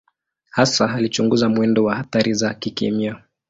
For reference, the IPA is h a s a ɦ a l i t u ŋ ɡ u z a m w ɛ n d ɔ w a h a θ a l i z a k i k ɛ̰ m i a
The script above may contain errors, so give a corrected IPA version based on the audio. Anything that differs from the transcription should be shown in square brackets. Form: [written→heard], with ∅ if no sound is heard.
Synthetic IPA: h a s a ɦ a l i [t→t͡ʃ] u ŋ ɡ u z a m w ɛ n d ɔ w a h a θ a [l→ɾ] i z a k i k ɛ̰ m i a